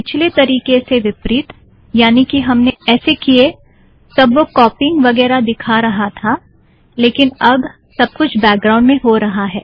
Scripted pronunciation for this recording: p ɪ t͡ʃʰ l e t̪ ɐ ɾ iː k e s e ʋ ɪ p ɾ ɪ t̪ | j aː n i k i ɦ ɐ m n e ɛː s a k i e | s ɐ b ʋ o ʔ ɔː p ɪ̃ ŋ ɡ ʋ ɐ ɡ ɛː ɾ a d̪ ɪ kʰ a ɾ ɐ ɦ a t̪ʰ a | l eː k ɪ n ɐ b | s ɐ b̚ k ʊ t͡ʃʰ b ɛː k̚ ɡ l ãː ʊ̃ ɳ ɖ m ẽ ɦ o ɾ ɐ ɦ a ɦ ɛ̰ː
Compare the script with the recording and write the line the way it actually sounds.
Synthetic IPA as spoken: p ɪ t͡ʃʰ l e t̪ ɐ ɾ iː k e s e ʋ ɪ p ɾ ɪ t̪ | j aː n i k i ɦ ɐ m n e ɛː s e k i e | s ɐ b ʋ o k ɔː p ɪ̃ ŋ ɡ ʋ ɐ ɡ ɛː ɾ a d̪ ɪ kʰ a ɾ ɐ ɦ a t̪ʰ a | l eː k ɪ n ɐ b | s ɐ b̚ k ʊ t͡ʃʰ b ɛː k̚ ɡ ɾ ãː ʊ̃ ɳ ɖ m ẽ ɦ o ɾ ɐ ɦ a ɦ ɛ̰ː